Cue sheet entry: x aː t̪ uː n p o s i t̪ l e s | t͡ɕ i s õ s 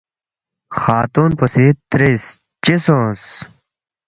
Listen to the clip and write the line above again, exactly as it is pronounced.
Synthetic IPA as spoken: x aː t̪ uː n p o s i t̪ ɾ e s | t͡ɕ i s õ s